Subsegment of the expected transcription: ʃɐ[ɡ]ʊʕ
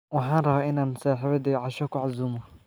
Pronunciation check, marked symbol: incorrect: k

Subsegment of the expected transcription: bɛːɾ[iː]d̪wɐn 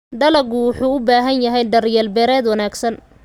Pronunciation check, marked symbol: incorrect: ɛː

